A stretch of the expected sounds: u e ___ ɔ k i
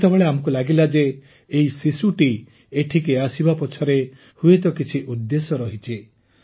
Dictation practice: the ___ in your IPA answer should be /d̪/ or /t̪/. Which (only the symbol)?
t̪